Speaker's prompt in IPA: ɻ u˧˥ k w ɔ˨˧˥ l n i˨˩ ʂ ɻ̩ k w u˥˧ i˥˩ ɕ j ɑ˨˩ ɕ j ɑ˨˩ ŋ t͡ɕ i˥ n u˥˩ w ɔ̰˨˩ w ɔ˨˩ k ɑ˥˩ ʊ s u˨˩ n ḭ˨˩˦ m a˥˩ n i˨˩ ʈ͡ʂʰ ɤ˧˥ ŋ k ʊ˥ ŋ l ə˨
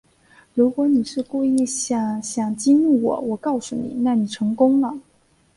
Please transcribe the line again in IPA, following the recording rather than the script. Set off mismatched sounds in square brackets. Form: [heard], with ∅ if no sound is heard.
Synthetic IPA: ɻ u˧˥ k w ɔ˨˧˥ [∅] n i˨˩ ʂ ɻ̩ k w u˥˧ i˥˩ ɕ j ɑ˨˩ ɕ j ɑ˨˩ ŋ t͡ɕ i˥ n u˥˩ w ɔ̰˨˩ w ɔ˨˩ k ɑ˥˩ ʊ s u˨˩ n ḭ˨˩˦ [n] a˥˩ n i˨˩ ʈ͡ʂʰ ɤ˧˥ ŋ k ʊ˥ ŋ l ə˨